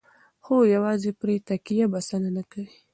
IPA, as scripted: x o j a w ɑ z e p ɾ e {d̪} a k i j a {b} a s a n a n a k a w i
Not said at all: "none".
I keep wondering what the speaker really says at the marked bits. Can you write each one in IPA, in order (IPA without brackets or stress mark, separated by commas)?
t̪, b